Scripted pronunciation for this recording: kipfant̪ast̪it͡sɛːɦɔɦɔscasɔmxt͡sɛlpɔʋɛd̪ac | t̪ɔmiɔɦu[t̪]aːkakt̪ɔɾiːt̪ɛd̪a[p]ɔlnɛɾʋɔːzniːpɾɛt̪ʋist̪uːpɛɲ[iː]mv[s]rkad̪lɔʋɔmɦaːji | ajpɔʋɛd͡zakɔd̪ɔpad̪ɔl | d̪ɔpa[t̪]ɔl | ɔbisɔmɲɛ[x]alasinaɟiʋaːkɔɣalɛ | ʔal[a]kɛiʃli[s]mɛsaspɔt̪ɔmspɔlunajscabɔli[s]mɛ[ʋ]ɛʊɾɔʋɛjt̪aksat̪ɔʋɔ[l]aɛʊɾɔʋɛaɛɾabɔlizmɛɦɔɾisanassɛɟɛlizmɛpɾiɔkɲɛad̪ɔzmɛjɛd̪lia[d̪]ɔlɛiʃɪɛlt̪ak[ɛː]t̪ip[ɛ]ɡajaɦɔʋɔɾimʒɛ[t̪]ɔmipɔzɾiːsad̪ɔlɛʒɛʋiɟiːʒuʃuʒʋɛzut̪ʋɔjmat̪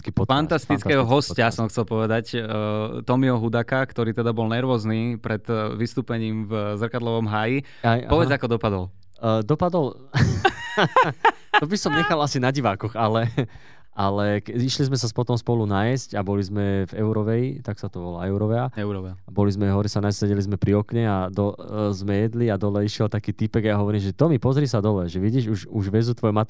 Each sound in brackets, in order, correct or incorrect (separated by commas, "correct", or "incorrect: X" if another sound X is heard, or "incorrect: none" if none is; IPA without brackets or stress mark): incorrect: d̪, incorrect: b, correct, incorrect: z, incorrect: d̪, correct, incorrect: ɛ, incorrect: z, incorrect: z, incorrect: v, correct, correct, incorrect: iː, correct, correct